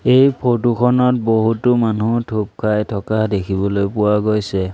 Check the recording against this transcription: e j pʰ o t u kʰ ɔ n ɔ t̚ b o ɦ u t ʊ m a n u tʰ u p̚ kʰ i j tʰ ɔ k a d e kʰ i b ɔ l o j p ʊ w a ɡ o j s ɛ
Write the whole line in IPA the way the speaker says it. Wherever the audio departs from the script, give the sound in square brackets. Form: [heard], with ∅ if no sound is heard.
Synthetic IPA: e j pʰ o t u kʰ ɔ n ɔ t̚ b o ɦ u t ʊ m a n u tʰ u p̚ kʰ [a] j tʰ ɔ k a d e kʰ i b ɔ l o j p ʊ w a ɡ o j s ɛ